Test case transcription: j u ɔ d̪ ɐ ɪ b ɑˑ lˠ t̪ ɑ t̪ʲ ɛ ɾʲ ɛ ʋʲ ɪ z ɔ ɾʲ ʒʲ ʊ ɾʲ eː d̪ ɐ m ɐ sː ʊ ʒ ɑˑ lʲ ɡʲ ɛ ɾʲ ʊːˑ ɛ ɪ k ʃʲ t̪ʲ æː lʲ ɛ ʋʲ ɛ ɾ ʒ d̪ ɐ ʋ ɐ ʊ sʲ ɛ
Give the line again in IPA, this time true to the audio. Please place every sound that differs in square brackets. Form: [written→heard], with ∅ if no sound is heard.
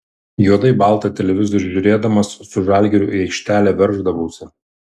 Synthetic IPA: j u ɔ d̪ ɐ ɪ b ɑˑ lˠ t̪ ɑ t̪ʲ ɛ [ɾʲ→lʲ] ɛ ʋʲ ɪ z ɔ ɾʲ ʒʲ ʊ ɾʲ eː d̪ ɐ m ɐ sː ʊ ʒ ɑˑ lʲ ɡʲ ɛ ɾʲ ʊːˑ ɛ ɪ k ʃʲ t̪ʲ æː lʲ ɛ ʋʲ ɛ ɾ ʒ d̪ ɐ ʋ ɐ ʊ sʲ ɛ